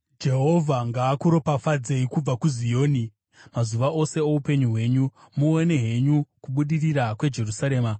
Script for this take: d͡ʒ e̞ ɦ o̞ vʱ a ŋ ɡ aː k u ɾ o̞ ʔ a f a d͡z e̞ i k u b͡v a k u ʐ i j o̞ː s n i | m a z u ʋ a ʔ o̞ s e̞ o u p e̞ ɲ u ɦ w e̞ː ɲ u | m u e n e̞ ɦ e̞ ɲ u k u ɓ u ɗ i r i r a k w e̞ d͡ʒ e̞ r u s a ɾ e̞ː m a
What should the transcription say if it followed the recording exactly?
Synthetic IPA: d͡ʒ e̞ ɦ o̞ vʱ a ŋ ɡ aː k u ɾ o̞ p a f a d͡z e̞ i k u b͡v a k u z i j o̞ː n i | m a z u ʋ a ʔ o̞ s e̞ o u p e̞ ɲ u ɦ w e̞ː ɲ u | m u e n e̞ ɦ e̞ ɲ u k u ɓ u ɗ i r i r a k w e̞ d͡ʒ e̞ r u s a ɾ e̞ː m a